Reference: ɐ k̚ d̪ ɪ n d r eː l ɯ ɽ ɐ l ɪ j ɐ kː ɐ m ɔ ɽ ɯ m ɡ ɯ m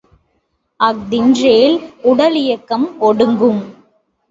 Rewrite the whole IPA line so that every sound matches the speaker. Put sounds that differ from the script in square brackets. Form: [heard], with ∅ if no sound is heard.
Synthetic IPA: ɐ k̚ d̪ ɪ n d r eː l [ʊ] ɽ ɐ l ɪ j ɐ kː ɐ m ɔ ɽ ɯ [ŋ] ɡ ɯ m